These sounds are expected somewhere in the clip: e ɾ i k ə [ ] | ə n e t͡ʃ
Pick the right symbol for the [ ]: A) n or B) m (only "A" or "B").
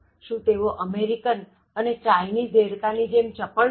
A